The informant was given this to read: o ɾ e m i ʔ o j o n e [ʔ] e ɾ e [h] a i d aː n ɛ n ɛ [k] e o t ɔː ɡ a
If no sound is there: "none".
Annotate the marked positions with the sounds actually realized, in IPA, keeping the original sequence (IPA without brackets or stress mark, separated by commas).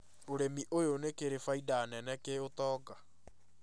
k, f, k